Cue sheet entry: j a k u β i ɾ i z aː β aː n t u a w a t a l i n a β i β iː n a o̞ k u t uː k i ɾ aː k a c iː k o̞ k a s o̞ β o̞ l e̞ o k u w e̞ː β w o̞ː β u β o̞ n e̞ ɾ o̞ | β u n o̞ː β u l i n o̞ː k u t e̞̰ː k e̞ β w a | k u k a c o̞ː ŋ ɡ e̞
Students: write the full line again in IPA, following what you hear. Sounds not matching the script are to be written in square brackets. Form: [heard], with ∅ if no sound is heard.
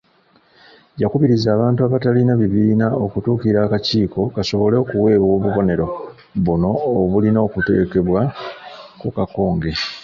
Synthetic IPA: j a k u β i ɾ i z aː β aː n t u a [β] a t a l i n a β i β iː n a o̞ k u t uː k i ɾ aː k a c iː k o̞ k a s o̞ β o̞ l e̞ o k u w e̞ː β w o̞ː β u β o̞ n e̞ ɾ o̞ | β u n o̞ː β u l i n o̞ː k u t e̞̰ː k e̞ β w a | k u k a [k] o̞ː ŋ ɡ e̞